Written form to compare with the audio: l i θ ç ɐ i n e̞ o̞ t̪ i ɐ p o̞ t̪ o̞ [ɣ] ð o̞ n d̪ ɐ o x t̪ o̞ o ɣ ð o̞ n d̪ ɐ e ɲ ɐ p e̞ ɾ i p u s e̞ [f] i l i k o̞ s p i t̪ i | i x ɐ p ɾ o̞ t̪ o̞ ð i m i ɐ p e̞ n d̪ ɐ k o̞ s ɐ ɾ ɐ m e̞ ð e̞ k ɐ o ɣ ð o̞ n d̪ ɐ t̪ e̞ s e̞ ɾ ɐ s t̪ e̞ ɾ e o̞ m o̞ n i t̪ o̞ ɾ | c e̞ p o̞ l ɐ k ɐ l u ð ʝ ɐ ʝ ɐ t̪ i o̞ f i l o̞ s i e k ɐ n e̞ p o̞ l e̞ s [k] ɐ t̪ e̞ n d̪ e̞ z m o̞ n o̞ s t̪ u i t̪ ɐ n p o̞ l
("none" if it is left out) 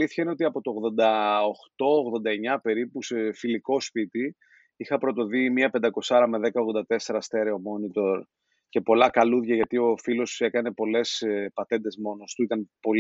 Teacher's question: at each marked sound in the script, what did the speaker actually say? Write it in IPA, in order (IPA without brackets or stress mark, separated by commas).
ɣ, f, p